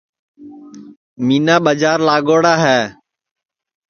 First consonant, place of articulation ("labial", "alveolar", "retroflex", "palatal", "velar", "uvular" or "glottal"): labial